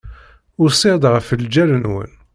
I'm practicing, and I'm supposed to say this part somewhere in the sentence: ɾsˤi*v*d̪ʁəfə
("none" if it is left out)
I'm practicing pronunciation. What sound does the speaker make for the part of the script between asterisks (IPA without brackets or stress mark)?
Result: ʁ